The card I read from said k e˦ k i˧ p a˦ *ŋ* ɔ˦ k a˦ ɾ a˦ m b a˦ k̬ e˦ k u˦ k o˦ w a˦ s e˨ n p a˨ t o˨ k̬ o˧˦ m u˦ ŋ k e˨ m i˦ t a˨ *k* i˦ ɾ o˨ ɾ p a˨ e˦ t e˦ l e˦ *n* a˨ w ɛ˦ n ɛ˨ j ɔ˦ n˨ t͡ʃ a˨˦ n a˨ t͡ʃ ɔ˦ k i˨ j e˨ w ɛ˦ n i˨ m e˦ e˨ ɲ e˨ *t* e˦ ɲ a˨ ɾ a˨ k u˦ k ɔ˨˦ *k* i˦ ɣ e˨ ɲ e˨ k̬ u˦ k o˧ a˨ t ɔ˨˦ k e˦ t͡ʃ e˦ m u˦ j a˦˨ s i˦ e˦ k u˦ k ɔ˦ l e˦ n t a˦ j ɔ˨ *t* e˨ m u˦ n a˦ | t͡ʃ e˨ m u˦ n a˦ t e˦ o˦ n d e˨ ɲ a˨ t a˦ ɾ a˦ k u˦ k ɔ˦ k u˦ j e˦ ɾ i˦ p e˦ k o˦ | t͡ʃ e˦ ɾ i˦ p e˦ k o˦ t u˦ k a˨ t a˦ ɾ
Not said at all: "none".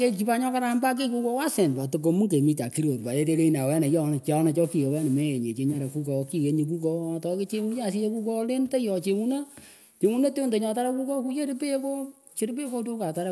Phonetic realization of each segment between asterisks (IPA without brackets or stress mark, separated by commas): ɲ, k, n, t͡ʃ, k, t͡ʃ